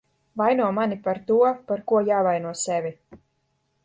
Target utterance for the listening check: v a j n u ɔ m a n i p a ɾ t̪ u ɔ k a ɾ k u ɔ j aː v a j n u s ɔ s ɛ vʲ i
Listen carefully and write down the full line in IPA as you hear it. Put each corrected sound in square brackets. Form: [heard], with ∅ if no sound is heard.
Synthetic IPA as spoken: v a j n u ɔ m a n i p a ɾ t̪ u ɔ [p] a ɾ k u ɔ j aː v a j n u [∅] ɔ s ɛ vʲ i